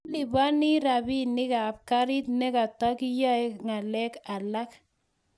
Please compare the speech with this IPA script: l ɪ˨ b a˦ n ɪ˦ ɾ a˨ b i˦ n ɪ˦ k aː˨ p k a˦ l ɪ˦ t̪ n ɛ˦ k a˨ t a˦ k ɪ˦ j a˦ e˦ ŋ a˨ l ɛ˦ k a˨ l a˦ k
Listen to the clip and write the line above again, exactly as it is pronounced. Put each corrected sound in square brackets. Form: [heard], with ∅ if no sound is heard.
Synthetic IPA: l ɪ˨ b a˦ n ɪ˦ ɾ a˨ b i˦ n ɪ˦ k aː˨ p k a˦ [ɾ] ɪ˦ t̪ n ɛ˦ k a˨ t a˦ k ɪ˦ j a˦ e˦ ŋ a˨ l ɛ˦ k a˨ l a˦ k